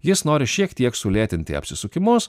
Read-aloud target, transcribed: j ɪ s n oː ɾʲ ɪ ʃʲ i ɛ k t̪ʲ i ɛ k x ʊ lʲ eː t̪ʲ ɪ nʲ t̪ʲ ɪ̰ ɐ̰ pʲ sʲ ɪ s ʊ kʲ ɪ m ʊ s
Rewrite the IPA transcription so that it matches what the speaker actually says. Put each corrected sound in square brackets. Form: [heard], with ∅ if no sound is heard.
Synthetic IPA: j ɪ s n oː ɾʲ ɪ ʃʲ i ɛ k t̪ʲ i ɛ k [s] ʊ lʲ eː t̪ʲ ɪ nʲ t̪ʲ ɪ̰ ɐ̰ pʲ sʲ ɪ s ʊ kʲ ɪ m ʊ s

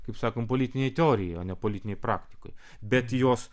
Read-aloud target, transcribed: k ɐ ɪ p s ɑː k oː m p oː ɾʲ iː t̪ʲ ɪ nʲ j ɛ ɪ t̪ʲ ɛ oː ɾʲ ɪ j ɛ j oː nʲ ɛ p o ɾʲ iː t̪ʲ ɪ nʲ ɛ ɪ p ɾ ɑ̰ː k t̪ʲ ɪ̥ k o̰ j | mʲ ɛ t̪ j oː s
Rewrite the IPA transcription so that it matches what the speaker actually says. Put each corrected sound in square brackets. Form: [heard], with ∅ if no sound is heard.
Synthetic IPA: k ɐ ɪ p s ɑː k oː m p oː [lʲ] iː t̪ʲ ɪ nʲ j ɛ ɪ t̪ʲ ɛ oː ɾʲ ɪ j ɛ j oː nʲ ɛ p o [lʲ] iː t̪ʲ ɪ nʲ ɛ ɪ p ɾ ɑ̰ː k t̪ʲ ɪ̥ k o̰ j | [bʲ] ɛ t̪ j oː s

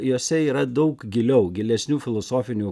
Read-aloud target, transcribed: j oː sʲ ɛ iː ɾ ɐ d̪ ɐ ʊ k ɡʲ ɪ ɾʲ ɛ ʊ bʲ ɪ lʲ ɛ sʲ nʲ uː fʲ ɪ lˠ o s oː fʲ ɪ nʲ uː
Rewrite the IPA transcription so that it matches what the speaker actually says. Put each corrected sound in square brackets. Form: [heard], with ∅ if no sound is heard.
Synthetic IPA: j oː sʲ ɛ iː ɾ ɐ d̪ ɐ ʊ k ɡʲ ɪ [lʲ] ɛ ʊ [ɡʲ] ɪ lʲ ɛ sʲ nʲ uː fʲ ɪ lˠ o s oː fʲ ɪ nʲ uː

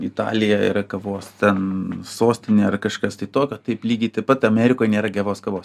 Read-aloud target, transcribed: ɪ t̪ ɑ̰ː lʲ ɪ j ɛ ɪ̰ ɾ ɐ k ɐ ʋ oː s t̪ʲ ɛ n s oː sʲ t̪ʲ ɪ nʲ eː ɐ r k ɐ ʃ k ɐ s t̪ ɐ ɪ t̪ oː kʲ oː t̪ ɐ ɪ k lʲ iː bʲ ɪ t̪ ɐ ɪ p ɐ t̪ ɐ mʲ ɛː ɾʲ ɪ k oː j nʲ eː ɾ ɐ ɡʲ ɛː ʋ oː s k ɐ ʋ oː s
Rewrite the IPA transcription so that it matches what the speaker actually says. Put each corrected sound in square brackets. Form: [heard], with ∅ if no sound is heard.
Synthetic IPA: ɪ t̪ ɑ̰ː lʲ ɪ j ɛ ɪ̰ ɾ ɐ k ɐ ʋ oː s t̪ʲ ɛ n s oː sʲ t̪ʲ ɪ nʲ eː ɐ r k ɐ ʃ k ɐ s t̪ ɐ ɪ t̪ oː kʲ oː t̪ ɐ ɪ [p] lʲ iː [ɡʲ] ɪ t̪ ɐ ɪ p ɐ t̪ ɐ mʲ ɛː ɾʲ ɪ k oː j nʲ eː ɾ ɐ ɡʲ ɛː ʋ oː s k ɐ ʋ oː s

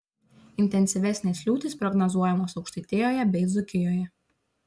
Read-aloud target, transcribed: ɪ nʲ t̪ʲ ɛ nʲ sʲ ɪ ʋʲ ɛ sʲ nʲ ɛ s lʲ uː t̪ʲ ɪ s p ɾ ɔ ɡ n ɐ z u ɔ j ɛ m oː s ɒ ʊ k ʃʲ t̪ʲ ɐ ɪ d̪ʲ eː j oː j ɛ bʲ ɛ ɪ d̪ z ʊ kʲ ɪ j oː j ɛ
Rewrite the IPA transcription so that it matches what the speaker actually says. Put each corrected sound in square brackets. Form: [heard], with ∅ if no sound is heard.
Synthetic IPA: ɪ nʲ t̪ʲ ɛ nʲ sʲ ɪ ʋʲ ɛ sʲ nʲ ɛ s lʲ uː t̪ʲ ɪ s p ɾ ɔ ɡ n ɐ z u ɔ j ɛ m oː s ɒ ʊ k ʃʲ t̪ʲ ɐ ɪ [t̪ʲ] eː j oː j ɛ bʲ ɛ ɪ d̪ z ʊ kʲ ɪ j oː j ɛ

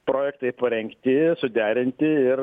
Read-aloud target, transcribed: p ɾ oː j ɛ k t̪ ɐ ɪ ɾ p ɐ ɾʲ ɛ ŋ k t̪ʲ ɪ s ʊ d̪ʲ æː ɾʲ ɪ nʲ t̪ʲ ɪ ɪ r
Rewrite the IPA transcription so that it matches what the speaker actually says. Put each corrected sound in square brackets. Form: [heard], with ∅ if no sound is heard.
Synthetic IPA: p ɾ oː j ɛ k t̪ ɐ ɪ [∅] p ɐ ɾʲ ɛ ŋ k t̪ʲ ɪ s ʊ d̪ʲ æː ɾʲ ɪ nʲ t̪ʲ ɪ ɪ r

